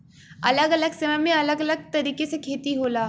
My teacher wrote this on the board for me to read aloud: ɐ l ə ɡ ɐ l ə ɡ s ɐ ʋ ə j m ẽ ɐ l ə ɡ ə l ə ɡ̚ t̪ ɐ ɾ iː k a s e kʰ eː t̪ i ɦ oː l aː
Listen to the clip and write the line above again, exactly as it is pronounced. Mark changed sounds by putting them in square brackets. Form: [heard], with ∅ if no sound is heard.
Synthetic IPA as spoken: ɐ l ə ɡ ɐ l ə ɡ s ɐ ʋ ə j m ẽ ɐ l ə ɡ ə l ə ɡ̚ t̪ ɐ ɾ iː k [e] s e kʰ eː t̪ i ɦ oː l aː